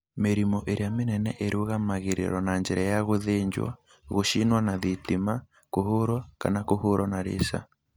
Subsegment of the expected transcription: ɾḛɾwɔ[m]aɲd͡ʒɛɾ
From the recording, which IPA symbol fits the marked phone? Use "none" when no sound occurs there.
n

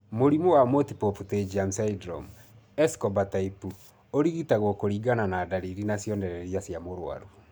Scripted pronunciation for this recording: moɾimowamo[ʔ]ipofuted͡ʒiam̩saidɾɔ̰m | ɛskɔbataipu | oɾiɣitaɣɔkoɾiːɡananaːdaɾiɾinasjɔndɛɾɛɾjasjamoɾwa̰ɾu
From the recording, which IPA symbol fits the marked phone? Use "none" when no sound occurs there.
t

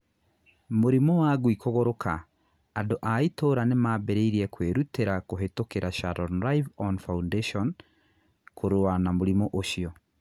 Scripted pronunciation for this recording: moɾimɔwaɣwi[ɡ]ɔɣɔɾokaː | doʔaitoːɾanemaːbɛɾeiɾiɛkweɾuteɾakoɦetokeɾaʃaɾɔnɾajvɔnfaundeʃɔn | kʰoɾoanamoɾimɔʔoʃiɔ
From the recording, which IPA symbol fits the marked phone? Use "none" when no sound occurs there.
k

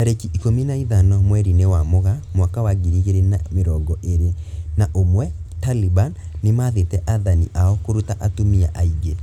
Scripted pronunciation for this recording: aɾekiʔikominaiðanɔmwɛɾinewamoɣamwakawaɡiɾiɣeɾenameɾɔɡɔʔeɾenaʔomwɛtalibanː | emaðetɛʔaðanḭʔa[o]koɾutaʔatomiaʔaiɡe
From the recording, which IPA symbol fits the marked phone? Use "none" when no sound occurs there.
ɔ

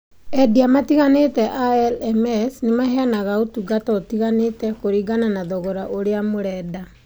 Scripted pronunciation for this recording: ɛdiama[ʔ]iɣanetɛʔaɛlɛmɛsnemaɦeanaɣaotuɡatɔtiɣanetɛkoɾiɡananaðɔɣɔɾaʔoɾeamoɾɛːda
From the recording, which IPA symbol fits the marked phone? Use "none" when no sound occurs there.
t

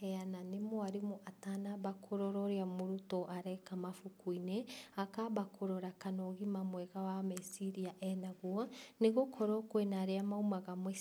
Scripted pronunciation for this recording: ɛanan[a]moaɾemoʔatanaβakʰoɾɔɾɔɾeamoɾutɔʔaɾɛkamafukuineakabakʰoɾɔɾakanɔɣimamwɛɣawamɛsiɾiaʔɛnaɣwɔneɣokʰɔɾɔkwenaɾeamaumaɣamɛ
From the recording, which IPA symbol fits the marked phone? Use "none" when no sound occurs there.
e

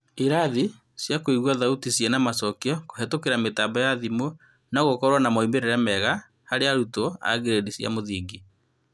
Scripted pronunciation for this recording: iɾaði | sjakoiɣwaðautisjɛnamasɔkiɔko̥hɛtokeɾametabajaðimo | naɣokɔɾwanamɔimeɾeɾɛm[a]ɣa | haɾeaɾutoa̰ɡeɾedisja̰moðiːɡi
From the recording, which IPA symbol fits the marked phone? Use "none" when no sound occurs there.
ɛ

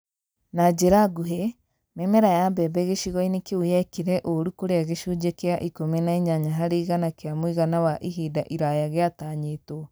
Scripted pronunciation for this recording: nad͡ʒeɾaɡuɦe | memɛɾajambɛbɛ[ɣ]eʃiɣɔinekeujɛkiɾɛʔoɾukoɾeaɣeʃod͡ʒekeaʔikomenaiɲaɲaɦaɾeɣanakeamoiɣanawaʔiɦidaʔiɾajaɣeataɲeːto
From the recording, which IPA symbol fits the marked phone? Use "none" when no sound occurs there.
ɣ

